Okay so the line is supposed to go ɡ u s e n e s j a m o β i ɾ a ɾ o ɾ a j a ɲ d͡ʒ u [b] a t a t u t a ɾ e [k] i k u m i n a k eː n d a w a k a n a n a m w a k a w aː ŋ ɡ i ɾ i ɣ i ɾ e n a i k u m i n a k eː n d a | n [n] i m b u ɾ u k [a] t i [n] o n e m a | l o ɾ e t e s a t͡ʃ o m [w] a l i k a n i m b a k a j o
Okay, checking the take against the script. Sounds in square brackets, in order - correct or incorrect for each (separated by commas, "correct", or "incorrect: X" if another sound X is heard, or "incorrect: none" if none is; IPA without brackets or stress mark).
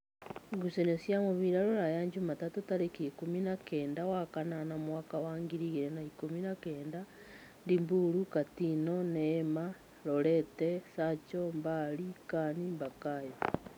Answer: incorrect: m, correct, incorrect: d, correct, correct, incorrect: b